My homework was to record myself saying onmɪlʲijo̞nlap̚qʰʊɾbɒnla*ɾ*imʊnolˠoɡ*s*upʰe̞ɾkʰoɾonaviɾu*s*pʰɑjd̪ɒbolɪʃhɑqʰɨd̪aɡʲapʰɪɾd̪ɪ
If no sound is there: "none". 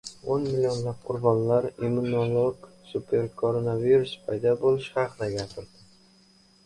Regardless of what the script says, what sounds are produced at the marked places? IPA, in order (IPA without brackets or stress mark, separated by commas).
ɾ, s, s